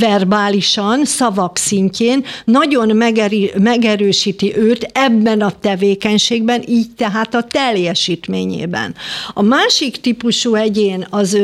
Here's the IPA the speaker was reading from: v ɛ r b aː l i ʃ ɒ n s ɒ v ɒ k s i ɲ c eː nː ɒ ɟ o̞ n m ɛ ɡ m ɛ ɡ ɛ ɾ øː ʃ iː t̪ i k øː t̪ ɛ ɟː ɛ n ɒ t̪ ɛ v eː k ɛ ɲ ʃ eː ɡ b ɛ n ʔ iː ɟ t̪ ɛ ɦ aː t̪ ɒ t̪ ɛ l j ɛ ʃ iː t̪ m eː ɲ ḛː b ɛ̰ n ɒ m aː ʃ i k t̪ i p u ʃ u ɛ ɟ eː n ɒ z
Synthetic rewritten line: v ɛ r b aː l i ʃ ɒ n s ɒ v ɒ k s i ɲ c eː nː ɒ ɟ o̞ n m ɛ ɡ m ɛ ɡ ɛ ɾ øː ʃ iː t̪ i ʔ øː t̪ ɛ bː ɛ n ɒ t̪ ɛ v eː k ɛ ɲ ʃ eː ɡ b ɛ n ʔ iː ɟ t̪ ɛ ɦ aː t̪ ɒ t̪ ɛ l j ɛ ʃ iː t̪ m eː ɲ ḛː b ɛ̰ n ɒ m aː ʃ i k t̪ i p u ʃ u ɛ ɟ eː n ɒ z